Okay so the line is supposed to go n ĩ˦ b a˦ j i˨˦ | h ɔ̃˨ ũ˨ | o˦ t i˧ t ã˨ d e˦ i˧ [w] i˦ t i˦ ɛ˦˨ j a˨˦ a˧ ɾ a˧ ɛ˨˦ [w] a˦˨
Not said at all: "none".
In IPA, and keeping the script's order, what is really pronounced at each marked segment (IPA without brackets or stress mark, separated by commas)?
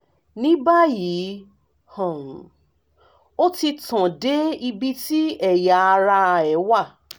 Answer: b, w